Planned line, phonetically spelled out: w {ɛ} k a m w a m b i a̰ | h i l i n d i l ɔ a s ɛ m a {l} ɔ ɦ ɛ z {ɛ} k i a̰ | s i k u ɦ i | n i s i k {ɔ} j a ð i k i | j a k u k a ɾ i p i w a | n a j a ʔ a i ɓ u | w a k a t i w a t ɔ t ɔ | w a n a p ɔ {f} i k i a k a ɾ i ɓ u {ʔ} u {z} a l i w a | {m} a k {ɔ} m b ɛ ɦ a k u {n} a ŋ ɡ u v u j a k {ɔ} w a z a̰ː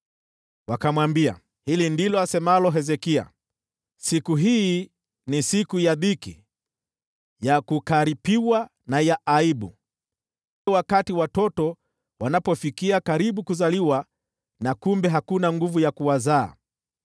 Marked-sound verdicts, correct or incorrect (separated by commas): incorrect, correct, correct, incorrect, correct, incorrect, correct, incorrect, incorrect, correct, incorrect